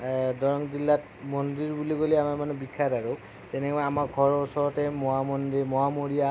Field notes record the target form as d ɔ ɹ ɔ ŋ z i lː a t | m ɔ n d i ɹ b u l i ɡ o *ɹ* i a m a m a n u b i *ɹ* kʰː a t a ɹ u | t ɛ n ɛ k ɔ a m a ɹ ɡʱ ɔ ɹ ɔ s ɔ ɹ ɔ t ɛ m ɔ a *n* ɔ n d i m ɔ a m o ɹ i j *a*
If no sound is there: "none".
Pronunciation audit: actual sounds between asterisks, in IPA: l, none, m, a

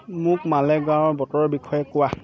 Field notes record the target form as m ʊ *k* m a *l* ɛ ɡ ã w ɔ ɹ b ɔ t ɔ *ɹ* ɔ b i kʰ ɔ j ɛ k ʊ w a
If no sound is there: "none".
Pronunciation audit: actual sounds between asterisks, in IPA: k, l, ɹ

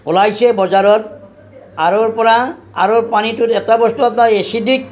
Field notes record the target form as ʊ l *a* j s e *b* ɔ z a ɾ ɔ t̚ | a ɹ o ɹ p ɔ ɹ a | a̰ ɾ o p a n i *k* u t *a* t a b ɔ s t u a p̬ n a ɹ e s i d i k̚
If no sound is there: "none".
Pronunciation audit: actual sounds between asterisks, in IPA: a, b, t, ɛ

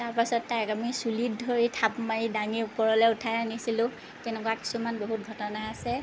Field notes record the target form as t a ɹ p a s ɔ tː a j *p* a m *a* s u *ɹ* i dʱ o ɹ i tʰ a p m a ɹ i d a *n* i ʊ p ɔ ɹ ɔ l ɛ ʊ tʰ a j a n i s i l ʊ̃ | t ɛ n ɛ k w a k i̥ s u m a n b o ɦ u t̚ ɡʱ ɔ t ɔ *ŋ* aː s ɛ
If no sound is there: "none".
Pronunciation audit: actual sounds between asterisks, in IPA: k, i, l, ŋ, n

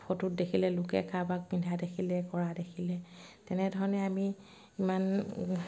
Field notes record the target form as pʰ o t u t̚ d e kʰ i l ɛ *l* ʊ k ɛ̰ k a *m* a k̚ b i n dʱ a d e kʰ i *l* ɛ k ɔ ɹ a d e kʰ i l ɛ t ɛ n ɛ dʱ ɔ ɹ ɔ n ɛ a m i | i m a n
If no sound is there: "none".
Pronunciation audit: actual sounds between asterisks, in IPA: l, b, l

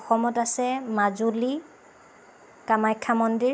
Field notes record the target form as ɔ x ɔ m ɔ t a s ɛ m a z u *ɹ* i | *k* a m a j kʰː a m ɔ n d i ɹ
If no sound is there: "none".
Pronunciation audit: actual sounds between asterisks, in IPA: l, k

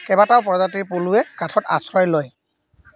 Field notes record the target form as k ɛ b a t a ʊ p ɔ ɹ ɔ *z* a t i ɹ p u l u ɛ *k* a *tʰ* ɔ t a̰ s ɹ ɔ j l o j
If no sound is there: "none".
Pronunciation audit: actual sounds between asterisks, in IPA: z, k, tʰ

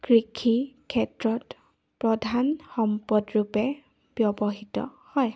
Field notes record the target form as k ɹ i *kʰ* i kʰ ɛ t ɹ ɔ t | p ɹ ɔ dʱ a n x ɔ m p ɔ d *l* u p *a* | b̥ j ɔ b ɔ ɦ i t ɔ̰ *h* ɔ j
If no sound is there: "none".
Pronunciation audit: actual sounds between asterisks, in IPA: kʰ, ɹ, ɛ, h

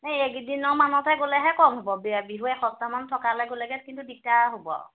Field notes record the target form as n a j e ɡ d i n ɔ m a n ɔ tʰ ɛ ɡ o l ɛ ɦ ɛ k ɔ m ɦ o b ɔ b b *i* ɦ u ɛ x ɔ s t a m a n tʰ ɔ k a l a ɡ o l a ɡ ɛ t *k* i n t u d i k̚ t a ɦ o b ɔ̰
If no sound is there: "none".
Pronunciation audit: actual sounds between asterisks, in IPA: i, k

